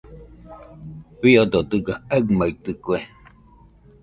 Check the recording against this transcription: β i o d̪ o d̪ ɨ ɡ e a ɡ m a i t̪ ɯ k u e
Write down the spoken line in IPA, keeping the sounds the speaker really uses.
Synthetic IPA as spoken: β i o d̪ o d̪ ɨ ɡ a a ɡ m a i t̪ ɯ k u e